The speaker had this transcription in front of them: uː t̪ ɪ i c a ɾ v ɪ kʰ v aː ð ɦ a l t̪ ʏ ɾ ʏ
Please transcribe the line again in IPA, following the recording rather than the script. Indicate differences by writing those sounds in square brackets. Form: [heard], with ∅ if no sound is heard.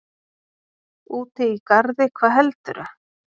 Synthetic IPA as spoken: uː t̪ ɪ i [k] a ɾ [ð] ɪ kʰ v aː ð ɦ [ɛ] l t̪ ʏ ɾ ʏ